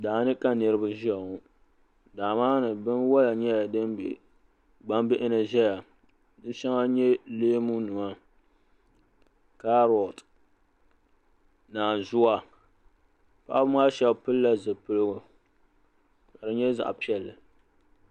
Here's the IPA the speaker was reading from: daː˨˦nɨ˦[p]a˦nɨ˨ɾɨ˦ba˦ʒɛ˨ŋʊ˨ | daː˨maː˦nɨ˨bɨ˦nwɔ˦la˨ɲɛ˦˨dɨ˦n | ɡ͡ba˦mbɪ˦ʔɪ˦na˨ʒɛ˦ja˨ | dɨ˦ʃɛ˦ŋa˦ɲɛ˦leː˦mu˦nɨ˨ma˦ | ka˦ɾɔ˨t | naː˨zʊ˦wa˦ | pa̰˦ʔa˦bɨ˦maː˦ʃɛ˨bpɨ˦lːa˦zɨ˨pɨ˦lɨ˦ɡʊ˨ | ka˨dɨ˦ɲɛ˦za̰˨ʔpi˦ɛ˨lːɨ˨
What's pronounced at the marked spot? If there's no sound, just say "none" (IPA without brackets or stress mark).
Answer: k